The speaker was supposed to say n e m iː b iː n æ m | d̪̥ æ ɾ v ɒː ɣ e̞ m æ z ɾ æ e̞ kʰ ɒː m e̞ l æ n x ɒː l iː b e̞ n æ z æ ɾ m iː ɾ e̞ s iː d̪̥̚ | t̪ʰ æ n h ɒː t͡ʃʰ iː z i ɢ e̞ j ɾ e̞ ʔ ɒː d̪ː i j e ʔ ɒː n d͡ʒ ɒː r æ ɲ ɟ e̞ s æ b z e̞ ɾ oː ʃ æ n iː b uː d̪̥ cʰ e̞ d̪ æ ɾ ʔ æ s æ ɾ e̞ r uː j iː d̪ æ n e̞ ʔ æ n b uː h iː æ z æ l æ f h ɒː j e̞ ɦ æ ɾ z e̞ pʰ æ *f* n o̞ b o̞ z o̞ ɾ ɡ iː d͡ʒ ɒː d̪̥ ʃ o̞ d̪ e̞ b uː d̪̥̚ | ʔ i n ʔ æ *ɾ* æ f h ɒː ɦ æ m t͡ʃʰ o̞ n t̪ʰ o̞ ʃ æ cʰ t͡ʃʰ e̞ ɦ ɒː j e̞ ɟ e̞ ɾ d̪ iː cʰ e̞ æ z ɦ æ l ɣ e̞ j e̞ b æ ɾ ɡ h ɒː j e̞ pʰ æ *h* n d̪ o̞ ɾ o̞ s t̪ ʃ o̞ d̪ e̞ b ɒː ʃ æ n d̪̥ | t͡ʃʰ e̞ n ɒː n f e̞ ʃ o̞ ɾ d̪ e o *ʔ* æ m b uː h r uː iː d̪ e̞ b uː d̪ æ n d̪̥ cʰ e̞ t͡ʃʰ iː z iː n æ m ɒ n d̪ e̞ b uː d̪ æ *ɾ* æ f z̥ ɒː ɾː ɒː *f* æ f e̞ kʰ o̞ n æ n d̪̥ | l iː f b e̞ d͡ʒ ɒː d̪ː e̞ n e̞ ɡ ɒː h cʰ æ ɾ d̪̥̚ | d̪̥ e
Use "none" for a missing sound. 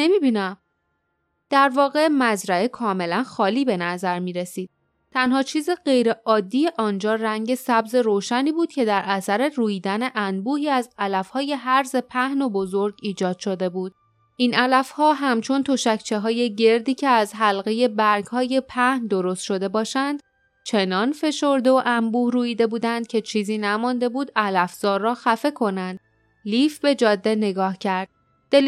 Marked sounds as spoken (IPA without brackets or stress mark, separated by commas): h, l, h, ʔ, l, x